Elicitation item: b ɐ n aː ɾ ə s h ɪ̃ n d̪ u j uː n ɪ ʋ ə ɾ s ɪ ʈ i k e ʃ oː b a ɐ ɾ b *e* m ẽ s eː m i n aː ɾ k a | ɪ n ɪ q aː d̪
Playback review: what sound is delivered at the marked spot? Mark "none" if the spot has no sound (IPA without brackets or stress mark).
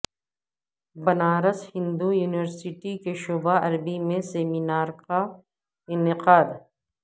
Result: i